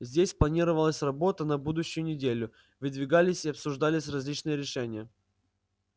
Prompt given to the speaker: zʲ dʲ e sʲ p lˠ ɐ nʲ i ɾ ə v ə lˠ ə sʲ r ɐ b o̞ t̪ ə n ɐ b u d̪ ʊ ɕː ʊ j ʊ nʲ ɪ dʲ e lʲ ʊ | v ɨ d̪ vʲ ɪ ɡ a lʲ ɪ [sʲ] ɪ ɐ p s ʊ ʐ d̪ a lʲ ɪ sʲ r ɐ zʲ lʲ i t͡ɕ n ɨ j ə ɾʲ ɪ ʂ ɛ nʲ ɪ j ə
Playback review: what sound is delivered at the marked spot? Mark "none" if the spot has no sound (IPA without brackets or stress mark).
sʲ